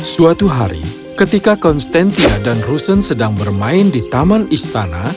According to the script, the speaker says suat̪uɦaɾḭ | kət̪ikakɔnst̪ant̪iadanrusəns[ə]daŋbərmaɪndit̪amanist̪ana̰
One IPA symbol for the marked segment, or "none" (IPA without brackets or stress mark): ə